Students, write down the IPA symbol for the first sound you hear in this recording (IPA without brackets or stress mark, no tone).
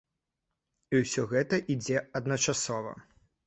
i